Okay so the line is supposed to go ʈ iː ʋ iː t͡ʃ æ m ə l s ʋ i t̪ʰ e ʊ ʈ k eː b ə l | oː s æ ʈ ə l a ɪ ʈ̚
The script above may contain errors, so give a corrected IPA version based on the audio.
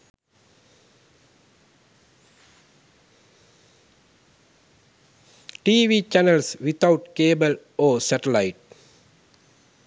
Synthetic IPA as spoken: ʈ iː ʋ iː t͡ʃ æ n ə l s ʋ i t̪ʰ a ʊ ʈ k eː b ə l | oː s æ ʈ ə l a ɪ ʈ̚